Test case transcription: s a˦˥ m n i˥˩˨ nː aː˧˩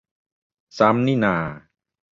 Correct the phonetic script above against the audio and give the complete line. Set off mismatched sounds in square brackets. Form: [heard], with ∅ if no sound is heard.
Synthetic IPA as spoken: s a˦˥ m n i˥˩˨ [n] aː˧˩